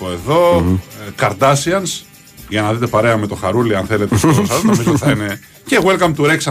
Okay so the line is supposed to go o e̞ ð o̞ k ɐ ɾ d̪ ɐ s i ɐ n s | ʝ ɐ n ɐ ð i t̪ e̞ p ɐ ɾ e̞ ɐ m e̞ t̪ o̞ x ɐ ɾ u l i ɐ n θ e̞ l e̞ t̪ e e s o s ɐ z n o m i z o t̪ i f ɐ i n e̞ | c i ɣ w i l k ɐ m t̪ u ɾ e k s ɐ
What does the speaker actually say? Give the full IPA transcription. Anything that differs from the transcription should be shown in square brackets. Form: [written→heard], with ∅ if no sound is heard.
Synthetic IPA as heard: o e̞ ð o̞ k ɐ ɾ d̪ ɐ s i ɐ n s | ʝ ɐ n ɐ ð i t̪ e̞ p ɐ ɾ e̞ ɐ m e̞ t̪ o̞ x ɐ ɾ u l i ɐ n θ e̞ l e̞ t̪ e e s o s ɐ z n o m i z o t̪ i [f→θ] ɐ i n e̞ | c [i→e] ɣ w [i→e] l k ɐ m t̪ u ɾ e k s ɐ